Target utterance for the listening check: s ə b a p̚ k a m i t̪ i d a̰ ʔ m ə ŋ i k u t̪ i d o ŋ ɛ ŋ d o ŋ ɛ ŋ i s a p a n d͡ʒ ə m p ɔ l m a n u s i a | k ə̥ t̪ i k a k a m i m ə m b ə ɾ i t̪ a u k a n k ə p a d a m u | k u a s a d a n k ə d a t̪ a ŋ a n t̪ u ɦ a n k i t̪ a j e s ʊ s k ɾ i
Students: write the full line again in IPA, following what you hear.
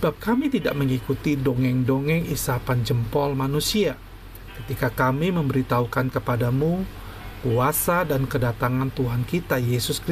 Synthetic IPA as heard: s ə b a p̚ k a m i t̪ i d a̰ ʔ m ə ŋ i k u t̪ i d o ŋ ɛ ŋ d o ŋ ɛ ŋ i s a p a n d͡ʒ ə m p ɔ l m a n u s i a | k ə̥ t̪ i k a k a m i m ə m b ə ɾ i t̪ a u k a n k ə p a d a m u | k u a s a d a n k ə d a t̪ a ŋ a n t̪ u ɦ a n k i t̪ a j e s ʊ s k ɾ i